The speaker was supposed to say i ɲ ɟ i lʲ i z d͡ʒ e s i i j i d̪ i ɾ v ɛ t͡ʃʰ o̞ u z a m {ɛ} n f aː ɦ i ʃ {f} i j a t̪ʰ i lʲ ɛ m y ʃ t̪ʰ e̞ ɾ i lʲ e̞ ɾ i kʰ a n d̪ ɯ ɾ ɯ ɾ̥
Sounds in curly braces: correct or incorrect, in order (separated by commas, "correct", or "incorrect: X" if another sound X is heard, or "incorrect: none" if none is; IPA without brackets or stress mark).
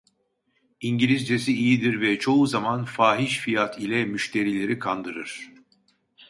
incorrect: a, correct